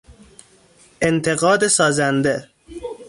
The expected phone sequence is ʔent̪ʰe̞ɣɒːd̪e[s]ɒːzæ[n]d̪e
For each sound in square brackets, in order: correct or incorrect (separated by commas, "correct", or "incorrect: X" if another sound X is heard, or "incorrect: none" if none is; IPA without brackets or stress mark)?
correct, correct